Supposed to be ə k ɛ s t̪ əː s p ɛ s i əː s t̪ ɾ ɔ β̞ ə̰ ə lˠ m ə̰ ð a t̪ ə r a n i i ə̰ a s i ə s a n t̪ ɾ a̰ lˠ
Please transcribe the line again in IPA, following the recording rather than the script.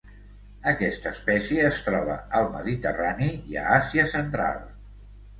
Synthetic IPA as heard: ə k ɛ s t̪ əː s p ɛ s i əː s t̪ ɾ ɔ β̞ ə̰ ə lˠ m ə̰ ð i t̪ ə r a n i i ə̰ a s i ə s ə n t̪ ɾ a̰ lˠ